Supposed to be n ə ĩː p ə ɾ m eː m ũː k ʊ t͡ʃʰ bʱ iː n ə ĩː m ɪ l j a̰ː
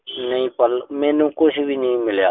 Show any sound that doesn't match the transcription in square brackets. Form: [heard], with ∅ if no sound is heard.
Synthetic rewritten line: n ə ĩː p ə [l] m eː [n] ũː k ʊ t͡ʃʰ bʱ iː n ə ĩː m ɪ l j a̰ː